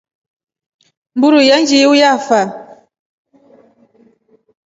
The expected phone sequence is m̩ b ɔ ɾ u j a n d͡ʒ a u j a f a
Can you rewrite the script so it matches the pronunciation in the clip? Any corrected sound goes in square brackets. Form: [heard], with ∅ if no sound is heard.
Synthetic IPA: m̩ b [u] ɾ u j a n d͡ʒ [i] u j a f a